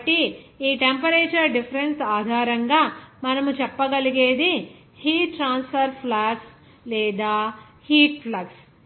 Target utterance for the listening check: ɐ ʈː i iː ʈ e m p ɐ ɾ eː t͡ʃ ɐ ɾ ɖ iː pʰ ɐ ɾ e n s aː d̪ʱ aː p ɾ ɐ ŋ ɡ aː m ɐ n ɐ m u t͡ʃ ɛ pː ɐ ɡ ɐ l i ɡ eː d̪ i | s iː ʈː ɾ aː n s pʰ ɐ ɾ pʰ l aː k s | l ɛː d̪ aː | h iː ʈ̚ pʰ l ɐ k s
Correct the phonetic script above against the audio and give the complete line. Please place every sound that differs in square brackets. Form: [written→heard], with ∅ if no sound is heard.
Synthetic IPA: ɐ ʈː i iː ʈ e m p ɐ ɾ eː t͡ʃ ɐ ɾ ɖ [iː→i] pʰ ɐ ɾ e n s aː d̪ʱ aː [p→∅] ɾ ɐ ŋ ɡ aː m ɐ n ɐ m u t͡ʃ ɛ pː ɐ ɡ ɐ l i ɡ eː d̪ i | [s→h] iː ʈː ɾ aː n s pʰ ɐ ɾ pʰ l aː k s | l ɛː d̪ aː | h iː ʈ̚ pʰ l ɐ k s